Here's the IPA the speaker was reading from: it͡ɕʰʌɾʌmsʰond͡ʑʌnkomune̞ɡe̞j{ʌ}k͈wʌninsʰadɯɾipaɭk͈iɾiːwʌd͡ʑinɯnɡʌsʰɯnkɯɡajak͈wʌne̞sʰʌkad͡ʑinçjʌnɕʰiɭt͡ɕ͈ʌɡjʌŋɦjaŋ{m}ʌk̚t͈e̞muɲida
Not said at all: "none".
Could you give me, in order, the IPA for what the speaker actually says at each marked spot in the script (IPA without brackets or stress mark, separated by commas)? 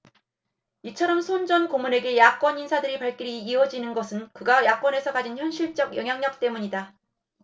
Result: a, ɲ